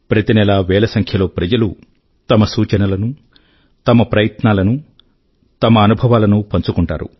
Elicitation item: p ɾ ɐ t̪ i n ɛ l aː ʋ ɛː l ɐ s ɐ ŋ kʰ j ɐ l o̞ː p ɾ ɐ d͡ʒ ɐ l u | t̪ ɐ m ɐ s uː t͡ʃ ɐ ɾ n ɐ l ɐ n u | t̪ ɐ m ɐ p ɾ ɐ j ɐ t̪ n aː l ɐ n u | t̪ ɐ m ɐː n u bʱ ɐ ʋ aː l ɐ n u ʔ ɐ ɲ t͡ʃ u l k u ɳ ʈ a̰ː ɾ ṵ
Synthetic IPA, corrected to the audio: p ɾ ɐ t̪ i n ɛ l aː ʋ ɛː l ɐ s ɐ ŋ kʰ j ɐ l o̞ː p ɾ ɐ d͡ʒ ɐ l u | t̪ ɐ m ɐ s uː t͡ʃ ɐ n ɐ l ɐ n u | t̪ ɐ m ɐ p ɾ ɐ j ɐ t̪ n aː l ɐ n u | t̪ ɐ m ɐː n u bʱ ɐ ʋ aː l ɐ n u p ɐ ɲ t͡ʃ u k u ɳ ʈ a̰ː ɾ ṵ